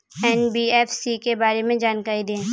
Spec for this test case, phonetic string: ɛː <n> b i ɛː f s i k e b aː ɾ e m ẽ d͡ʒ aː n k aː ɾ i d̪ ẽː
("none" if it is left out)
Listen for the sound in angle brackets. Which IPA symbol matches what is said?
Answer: n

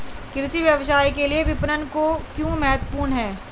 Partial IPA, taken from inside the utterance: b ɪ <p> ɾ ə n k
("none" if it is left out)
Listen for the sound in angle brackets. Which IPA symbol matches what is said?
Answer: p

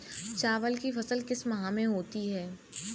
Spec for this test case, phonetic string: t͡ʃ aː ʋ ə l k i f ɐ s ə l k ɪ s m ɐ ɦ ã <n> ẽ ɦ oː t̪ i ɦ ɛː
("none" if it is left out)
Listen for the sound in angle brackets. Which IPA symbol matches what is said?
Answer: m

